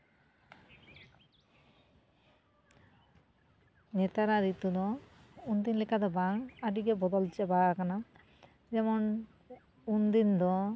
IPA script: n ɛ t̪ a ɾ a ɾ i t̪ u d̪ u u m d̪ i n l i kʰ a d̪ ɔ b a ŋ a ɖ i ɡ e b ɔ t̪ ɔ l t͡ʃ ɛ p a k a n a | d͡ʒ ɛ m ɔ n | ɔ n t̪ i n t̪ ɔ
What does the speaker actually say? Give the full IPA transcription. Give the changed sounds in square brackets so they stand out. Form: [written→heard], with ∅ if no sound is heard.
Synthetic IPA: n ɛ t̪ a ɾ a ɾ i t̪ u d̪ [u→ɔ] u [m→n] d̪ i n l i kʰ a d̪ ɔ b a ŋ a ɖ i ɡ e b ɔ [t̪→d̪] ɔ l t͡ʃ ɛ [p→b] a k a n a | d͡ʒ ɛ m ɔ n | [ɔ→u] n [t̪→d̪] i n [t̪→d̪] ɔ

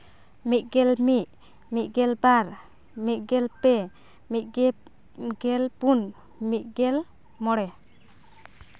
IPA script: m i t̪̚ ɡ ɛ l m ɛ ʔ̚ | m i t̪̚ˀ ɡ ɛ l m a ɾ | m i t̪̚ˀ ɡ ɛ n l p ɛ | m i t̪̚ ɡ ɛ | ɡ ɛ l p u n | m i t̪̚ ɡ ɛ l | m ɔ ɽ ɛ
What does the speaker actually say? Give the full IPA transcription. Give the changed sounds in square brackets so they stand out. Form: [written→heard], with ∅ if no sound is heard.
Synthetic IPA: m i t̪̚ ɡ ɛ l m [ɛ→i] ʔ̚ | m i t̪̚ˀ ɡ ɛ l [m→b] a ɾ | m i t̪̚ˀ ɡ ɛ [n→∅] l p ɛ | m i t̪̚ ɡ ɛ | ɡ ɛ l p u n | m i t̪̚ ɡ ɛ l | m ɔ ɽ ɛ

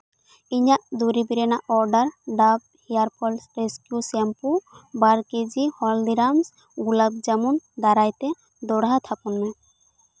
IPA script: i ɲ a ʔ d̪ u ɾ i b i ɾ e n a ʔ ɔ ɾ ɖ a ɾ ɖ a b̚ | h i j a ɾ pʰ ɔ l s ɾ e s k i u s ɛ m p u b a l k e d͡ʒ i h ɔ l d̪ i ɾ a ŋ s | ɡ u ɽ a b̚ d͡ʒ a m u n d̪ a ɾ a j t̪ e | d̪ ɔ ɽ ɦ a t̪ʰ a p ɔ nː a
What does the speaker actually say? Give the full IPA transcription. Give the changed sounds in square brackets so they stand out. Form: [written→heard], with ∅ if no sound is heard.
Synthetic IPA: i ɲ a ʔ d̪ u ɾ i b i ɾ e n a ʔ ɔ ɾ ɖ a ɾ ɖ a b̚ | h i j a ɾ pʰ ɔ l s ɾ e s k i u s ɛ m p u b a [l→ɾ] k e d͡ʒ i h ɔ l d̪ i ɾ a [ŋ→m] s | ɡ u [ɽ→l] a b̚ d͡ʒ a m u n d̪ a ɾ a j t̪ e | d̪ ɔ ɽ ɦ a t̪ʰ a p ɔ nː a

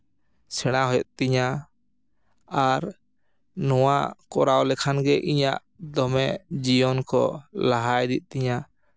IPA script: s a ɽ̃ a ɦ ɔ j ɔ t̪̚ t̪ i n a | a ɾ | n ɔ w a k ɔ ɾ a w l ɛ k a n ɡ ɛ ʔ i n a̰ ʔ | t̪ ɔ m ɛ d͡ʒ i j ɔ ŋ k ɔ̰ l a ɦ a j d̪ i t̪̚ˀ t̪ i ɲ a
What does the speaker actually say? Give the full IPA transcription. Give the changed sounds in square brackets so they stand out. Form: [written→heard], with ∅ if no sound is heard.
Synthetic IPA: s [a→ɛ] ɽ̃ a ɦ ɔ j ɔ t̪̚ t̪ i [n→ɲ] a | a ɾ | n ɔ w a k ɔ ɾ a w l ɛ [k→kʰ] a n ɡ ɛ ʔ i [n→ɲ] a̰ ʔ | [t̪→d̪] ɔ m ɛ d͡ʒ i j ɔ [ŋ→n] k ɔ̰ l a ɦ a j d̪ i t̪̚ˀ t̪ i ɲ a

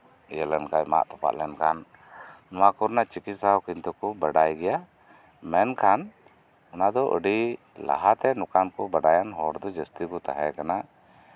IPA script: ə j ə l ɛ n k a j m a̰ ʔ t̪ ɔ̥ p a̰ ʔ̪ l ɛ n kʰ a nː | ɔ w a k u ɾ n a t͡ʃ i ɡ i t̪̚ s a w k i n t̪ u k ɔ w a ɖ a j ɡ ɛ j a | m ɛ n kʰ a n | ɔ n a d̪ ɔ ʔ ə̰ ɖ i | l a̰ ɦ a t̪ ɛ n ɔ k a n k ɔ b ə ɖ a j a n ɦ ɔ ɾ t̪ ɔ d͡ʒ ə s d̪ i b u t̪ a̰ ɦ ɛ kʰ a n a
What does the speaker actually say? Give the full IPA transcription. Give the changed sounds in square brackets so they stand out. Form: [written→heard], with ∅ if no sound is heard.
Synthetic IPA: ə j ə l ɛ n k a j m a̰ ʔ t̪ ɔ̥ p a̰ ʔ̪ l ɛ n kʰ a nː | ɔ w a k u ɾ n a t͡ʃ i [ɡ→k] i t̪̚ s a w k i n t̪ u k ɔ [w→b] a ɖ a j ɡ ɛ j a | m ɛ n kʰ a n | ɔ n a d̪ ɔ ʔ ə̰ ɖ i | l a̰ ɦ a t̪ ɛ n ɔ k a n k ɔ b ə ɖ a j a n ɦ ɔ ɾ [t̪→d̪] ɔ d͡ʒ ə s [d̪→t̪] i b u t̪ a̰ ɦ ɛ [kʰ→k] a n a

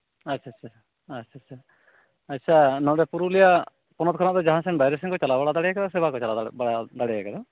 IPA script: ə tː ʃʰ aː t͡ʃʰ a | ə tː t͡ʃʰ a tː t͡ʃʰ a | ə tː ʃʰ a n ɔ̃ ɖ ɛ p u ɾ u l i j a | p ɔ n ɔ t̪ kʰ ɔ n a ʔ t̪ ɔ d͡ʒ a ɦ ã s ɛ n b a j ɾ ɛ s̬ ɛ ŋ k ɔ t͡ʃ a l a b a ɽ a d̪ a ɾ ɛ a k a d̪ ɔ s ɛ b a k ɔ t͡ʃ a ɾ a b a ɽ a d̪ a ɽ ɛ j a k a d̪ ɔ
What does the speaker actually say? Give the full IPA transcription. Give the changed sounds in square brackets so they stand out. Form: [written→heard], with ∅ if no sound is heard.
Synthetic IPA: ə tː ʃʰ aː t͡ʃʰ a | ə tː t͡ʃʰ a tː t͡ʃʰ a | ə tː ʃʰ a n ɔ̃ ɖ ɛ p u ɾ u l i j a | p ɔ n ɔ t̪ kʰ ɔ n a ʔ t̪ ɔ d͡ʒ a ɦ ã s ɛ n b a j ɾ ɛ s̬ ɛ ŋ k ɔ t͡ʃ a l a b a ɽ a d̪ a [ɾ→ɽ] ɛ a k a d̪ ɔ s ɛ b a k ɔ t͡ʃ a [ɾ→l] a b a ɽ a d̪ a ɽ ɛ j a k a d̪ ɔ

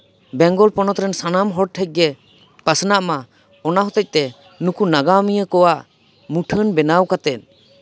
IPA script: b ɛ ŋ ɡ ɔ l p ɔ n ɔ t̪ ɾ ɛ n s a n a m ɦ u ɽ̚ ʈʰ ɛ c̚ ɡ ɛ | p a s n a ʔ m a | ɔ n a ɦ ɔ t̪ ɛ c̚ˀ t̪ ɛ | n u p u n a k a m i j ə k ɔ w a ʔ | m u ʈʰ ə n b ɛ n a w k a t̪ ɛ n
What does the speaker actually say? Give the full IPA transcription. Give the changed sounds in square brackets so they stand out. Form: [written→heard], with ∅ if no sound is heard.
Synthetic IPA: b ɛ ŋ ɡ ɔ l p ɔ n ɔ t̪ ɾ ɛ n s a n a m ɦ [u→ɔ] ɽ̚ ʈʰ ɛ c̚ ɡ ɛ | p a s n a ʔ m a | ɔ n a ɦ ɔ t̪ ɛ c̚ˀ t̪ ɛ | n u [p→k] u n a [k→ɡ] a m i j ə k ɔ w a ʔ | m u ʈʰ ə n b ɛ n a w k a t̪ ɛ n

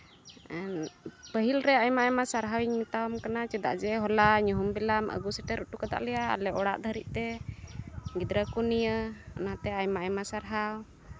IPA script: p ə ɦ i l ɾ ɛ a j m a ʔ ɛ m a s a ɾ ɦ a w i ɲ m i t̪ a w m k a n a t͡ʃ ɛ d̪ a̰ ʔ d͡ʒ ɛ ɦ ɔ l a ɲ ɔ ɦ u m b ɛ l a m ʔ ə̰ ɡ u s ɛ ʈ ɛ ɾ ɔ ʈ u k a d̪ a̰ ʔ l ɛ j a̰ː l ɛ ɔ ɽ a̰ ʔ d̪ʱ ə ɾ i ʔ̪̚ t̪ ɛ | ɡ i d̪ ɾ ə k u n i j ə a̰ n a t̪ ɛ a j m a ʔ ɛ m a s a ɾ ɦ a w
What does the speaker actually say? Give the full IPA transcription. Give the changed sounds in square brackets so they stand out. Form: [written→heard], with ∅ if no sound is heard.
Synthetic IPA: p ə ɦ i l ɾ ɛ a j m a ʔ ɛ m a s a ɾ ɦ a w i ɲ m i t̪ a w m k a n a t͡ʃ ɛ d̪ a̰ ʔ d͡ʒ ɛ ɦ ɔ l a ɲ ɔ ɦ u m b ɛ l a m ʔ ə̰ ɡ u s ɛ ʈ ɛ ɾ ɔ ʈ u k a d̪ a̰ ʔ l ɛ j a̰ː l ɛ ɔ ɽ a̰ ʔ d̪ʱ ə ɾ i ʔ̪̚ t̪ ɛ | ɡ i d̪ ɾ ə k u n i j ə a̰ n a t̪ ɛ a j m a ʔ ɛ m a s a ɾ ɦ a w

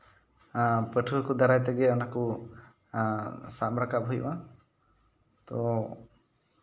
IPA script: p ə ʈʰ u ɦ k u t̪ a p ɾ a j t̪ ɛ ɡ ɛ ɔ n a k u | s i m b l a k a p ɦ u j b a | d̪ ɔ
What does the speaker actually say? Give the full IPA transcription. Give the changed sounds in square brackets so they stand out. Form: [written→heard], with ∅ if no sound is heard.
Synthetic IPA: p ə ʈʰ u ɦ k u [t̪→d̪] a [p→∅] ɾ a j t̪ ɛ ɡ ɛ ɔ n a k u | s [i→a] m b [l→ɾ] a k a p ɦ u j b a | [d̪→t̪] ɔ

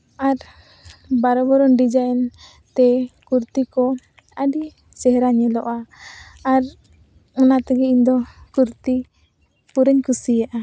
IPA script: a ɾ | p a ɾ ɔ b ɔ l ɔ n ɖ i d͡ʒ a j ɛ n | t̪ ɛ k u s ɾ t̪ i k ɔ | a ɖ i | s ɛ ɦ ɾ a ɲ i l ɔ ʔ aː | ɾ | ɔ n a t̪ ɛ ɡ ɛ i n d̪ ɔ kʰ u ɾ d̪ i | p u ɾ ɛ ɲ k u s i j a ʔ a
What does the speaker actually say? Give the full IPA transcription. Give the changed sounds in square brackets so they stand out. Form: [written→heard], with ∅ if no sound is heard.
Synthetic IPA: a ɾ | [p→b] a ɾ ɔ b ɔ [l→ɾ] ɔ n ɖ i d͡ʒ a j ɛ n | t̪ ɛ k u [s→∅] ɾ t̪ i k ɔ | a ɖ i | s ɛ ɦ ɾ a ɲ [i→ɛ] l ɔ ʔ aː | ɾ | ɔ n a t̪ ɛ ɡ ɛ i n d̪ ɔ [kʰ→k] u ɾ [d̪→t̪] i | p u ɾ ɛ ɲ k u s i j a ʔ a

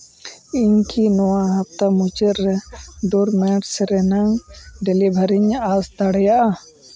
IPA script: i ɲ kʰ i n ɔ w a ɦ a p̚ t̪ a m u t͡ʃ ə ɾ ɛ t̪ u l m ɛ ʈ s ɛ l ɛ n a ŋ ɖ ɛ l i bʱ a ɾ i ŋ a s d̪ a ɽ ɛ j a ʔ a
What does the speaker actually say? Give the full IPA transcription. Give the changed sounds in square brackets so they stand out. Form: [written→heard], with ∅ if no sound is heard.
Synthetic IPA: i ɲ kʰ i n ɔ w a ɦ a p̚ t̪ a m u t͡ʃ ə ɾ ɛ [t̪→d̪] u [l→ɾ] m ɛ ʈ s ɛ [l→ɾ] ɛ n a ŋ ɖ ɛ l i bʱ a ɾ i [ŋ→ɲ] a s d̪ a ɽ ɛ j a ʔ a

